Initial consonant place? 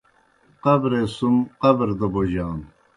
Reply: uvular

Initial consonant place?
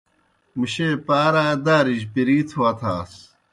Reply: labial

